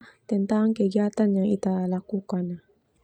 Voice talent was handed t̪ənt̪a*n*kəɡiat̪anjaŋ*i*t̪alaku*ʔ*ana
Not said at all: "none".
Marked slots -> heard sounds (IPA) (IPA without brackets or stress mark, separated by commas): ŋ, i, k